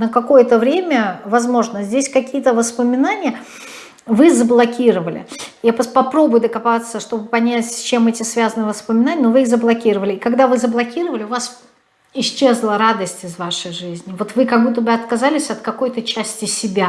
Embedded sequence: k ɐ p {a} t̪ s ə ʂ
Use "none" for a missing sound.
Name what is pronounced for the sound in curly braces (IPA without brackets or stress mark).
a